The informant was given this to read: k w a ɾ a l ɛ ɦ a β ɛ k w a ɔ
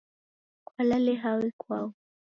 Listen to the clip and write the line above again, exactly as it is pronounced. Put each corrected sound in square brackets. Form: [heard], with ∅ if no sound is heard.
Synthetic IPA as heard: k w a [l] a l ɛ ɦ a [w] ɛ k w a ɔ